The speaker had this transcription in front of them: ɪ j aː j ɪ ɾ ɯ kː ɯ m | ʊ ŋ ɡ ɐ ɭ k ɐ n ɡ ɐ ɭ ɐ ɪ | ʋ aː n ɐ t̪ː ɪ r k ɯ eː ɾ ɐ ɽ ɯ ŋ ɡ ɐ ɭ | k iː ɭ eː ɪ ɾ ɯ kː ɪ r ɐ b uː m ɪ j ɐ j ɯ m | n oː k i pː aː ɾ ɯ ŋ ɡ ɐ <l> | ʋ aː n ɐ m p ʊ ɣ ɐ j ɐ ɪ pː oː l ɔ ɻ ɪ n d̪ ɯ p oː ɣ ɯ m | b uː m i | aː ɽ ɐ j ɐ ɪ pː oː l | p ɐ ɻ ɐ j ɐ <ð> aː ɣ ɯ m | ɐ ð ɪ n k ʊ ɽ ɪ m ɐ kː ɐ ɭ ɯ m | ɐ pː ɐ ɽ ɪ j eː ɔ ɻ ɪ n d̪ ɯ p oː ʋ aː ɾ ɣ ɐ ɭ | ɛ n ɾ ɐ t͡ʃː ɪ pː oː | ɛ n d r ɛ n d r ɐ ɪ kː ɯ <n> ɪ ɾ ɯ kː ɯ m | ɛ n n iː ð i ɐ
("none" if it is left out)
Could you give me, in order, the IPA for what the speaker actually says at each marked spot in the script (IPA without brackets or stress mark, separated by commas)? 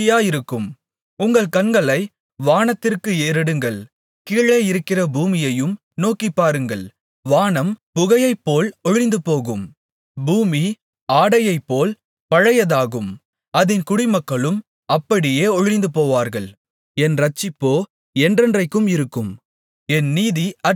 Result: ɭ, ð, m